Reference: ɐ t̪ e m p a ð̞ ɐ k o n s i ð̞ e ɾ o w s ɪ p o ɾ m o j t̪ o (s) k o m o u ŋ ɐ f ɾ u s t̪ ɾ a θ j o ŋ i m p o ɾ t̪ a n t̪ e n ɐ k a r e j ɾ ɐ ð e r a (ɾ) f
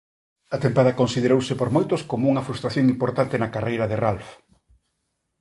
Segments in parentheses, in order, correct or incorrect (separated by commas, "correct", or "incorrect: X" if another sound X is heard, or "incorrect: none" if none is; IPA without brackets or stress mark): correct, incorrect: l